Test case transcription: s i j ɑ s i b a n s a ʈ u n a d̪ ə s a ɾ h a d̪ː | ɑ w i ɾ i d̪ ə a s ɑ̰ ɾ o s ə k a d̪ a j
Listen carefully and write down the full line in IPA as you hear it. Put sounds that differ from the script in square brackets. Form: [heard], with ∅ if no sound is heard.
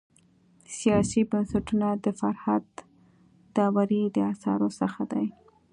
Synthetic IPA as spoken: s i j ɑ s i b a n s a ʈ u n a d̪ ə [f] a ɾ h a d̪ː | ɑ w [a] ɾ i d̪ ə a s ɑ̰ ɾ o s ə [x] a d̪ a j